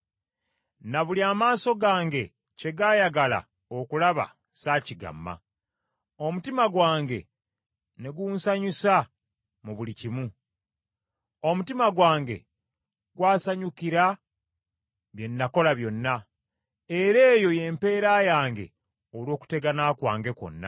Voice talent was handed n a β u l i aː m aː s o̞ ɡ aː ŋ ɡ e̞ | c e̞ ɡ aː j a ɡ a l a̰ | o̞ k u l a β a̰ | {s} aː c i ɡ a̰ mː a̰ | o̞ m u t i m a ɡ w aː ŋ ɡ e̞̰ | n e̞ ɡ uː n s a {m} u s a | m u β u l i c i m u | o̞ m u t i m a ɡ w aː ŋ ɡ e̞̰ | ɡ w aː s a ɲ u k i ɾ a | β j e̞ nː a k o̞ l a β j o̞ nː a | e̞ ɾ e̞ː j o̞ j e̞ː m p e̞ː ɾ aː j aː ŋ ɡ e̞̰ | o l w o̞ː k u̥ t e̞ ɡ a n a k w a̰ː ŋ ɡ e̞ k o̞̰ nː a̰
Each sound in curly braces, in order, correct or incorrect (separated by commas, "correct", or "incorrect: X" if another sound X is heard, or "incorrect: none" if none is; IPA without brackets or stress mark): correct, incorrect: ɲ